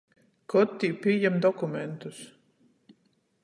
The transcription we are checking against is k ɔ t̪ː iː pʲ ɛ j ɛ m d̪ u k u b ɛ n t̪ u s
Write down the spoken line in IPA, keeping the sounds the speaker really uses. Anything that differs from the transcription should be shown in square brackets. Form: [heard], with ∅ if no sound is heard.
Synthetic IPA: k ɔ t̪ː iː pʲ [i] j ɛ m d̪ [ɔ] k u [m] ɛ n t̪ u s